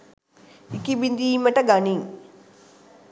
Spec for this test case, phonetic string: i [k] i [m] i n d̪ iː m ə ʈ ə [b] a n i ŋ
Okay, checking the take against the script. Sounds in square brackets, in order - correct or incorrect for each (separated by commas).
correct, incorrect, incorrect